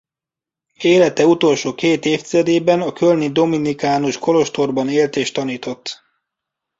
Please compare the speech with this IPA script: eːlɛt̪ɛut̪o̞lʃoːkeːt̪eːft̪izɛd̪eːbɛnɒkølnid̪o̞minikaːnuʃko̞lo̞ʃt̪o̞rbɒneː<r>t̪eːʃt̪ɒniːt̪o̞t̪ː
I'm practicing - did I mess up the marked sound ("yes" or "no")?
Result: yes